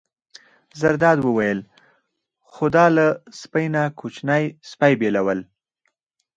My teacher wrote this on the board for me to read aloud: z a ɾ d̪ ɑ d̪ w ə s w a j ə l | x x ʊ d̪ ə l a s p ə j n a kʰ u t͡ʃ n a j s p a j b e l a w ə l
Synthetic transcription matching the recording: z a ɾ d̪ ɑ d̪ w ə w a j ə l | x x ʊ d̪ ɑ l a s p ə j n a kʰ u t͡ʃ n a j s p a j b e l a w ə l